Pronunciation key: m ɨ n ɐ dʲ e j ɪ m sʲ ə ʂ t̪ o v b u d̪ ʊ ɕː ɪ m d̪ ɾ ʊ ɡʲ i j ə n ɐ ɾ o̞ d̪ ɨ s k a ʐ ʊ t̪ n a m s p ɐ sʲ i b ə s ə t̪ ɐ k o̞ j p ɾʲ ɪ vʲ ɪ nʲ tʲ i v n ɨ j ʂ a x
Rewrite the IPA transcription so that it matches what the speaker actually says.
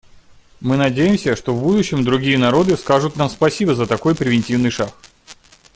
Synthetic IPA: m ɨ n ɐ dʲ e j ɪ m sʲ ə ʂ t̪ o v b u d̪ ʊ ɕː ɪ m d̪ ɾ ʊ ɡʲ i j ə n ɐ ɾ o̞ d̪ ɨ s k a ʐ ʊ t̪ n a m s p ɐ sʲ i b ə z ə t̪ ɐ k o̞ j p ɾʲ ɪ vʲ ɪ nʲ tʲ i v n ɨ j ʂ a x